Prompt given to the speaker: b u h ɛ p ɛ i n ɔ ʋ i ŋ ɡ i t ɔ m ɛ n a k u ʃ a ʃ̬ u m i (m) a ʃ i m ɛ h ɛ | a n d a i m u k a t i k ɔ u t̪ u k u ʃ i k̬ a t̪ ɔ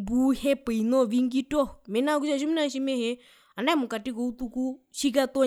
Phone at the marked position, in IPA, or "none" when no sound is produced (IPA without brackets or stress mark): n